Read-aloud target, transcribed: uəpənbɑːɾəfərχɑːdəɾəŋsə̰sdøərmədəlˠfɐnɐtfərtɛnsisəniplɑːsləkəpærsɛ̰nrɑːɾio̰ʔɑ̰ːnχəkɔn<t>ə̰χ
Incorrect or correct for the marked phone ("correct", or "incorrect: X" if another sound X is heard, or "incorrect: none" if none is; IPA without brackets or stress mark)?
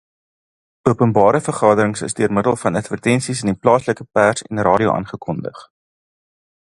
incorrect: d